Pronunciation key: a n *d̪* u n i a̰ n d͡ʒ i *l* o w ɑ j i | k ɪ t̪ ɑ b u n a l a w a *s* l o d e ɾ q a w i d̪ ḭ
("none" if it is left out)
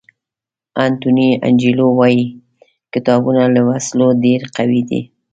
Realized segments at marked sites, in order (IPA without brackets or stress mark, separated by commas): t̪, l, s